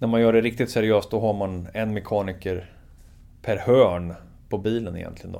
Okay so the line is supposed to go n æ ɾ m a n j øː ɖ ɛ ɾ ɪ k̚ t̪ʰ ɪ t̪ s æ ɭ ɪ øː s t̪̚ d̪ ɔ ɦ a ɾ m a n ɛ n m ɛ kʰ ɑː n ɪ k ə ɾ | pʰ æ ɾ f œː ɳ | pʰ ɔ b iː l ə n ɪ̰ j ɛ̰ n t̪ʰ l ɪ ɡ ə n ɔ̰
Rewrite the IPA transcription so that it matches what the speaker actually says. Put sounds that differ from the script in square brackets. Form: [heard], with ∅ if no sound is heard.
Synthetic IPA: n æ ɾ m a n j [œː] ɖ ɛ ɾ ɪ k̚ [t̪] ɪ t̪ s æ [ɾ] ɪ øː s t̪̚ d̪ ɔ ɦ a ɾ m a n ɛ n m ɛ kʰ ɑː n ɪ k ə ɾ | pʰ æ ɾ [h] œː ɳ | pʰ ɔ b iː l ə n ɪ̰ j ɛ̰ n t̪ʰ l ɪ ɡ ə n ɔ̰